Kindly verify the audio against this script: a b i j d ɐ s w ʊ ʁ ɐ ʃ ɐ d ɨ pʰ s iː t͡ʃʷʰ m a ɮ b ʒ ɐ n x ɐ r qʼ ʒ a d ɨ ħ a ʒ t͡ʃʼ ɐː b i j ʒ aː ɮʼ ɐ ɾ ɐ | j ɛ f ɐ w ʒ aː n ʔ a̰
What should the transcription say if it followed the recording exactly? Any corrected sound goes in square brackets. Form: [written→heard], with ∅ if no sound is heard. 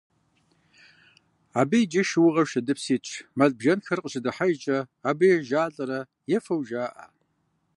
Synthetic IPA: a b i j [d→d͡ʒ] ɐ [s→ʃ] w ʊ ʁ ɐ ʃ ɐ d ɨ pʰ s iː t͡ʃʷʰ m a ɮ b ʒ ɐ n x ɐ r qʼ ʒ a d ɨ ħ a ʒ t͡ʃʼ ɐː b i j ʒ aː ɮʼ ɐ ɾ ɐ | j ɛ f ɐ w ʒ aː [n→∅] ʔ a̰